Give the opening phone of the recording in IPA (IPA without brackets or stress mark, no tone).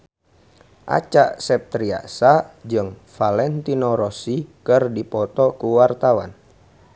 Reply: ʔ